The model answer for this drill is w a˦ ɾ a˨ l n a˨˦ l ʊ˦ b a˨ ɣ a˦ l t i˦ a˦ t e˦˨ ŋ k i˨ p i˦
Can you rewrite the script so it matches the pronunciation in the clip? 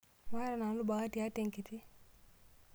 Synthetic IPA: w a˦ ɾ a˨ n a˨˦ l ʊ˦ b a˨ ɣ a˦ t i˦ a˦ t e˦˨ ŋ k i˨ t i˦